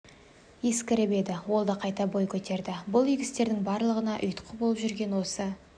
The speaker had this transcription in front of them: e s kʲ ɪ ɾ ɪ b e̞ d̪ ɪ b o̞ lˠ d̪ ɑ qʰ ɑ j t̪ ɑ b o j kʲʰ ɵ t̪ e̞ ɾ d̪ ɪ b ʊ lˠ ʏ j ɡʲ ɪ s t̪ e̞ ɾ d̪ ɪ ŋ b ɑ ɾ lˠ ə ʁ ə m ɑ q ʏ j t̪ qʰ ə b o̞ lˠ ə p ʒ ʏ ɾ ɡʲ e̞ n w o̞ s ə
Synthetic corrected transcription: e s kʲ ɪ ɾ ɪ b e̞ d̪ ɪ w o̞ lˠ d̪ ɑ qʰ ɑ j t̪ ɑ b o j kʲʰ ɵ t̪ e̞ ɾ d̪ ɪ b ʊ lˠ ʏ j ɡʲ ɪ s t̪ e̞ ɾ d̪ ɪ ŋ b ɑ ɾ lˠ ə ʁ ə n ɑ ʔ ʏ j t̪ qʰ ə b o̞ lˠ ə p ʒ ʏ ɾ ɡʲ e̞ n w o̞ s ə